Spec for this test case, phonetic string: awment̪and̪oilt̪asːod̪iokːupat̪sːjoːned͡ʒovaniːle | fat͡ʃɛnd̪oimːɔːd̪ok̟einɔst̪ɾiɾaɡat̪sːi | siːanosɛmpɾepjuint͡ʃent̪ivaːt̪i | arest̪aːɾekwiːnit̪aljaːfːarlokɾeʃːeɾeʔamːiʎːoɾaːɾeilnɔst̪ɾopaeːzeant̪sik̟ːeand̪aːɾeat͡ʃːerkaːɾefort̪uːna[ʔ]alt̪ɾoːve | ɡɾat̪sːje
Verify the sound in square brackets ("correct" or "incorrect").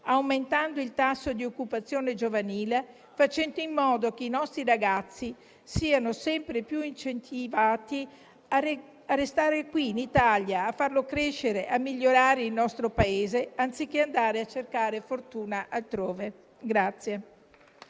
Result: correct